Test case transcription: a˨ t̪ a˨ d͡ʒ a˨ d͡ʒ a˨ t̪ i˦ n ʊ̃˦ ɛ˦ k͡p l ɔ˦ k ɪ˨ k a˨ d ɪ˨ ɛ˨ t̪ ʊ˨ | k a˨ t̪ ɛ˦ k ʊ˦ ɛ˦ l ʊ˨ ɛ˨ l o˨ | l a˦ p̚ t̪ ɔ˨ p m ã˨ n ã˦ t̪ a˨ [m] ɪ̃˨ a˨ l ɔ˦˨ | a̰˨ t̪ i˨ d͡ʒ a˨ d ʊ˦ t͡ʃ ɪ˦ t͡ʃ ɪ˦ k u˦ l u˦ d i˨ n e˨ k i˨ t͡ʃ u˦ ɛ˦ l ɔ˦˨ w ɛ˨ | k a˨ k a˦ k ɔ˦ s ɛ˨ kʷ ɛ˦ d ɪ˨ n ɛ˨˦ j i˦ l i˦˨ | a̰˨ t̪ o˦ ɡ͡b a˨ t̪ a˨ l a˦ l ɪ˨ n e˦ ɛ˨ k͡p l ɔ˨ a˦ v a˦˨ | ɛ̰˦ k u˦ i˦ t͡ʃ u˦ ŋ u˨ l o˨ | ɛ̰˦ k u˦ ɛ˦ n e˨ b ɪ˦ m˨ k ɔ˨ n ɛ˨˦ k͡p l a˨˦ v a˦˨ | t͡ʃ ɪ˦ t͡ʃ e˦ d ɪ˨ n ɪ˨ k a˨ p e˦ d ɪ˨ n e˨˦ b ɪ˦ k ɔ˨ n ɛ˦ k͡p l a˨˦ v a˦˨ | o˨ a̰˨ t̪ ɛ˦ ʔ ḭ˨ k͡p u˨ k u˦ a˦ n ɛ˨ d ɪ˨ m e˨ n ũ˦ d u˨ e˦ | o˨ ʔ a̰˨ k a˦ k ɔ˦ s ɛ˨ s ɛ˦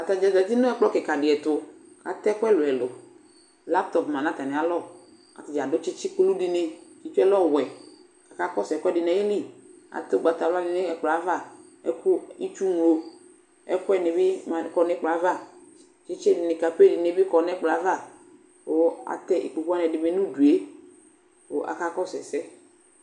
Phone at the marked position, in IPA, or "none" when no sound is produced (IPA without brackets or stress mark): n